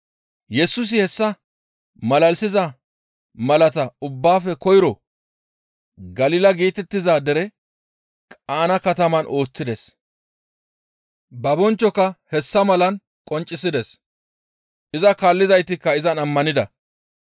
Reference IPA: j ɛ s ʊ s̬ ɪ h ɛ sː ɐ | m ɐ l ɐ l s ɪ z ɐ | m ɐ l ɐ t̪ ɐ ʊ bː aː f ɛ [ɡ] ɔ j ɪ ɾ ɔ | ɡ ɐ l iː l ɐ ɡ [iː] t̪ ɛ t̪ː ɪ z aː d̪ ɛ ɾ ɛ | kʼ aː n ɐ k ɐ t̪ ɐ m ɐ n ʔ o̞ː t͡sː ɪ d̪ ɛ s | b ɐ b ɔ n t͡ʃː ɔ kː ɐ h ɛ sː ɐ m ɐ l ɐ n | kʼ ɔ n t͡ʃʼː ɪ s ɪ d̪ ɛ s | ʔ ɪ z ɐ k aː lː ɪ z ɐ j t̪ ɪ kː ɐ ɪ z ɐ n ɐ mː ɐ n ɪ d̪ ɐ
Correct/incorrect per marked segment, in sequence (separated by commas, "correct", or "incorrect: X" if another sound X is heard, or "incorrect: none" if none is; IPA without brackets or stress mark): incorrect: k, correct